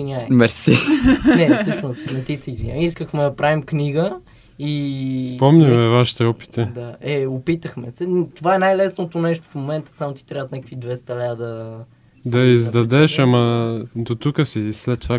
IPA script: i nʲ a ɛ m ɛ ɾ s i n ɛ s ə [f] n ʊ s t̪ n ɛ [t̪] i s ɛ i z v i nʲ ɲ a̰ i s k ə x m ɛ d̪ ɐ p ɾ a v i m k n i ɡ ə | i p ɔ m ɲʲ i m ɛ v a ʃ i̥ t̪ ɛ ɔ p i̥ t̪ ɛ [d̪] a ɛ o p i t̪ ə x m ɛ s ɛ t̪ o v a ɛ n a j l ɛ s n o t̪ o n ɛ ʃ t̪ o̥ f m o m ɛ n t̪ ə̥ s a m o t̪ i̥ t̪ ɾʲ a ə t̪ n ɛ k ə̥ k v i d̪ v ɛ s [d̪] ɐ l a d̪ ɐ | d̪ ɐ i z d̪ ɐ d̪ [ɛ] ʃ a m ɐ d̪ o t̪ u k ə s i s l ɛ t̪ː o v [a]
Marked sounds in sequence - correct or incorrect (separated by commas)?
incorrect, correct, correct, incorrect, correct, correct